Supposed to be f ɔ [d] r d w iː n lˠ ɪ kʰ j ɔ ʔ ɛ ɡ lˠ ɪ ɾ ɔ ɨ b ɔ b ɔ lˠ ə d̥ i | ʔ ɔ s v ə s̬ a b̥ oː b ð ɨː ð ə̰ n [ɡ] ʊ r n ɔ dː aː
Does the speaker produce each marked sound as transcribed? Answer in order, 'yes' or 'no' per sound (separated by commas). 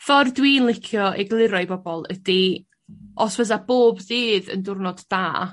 no, no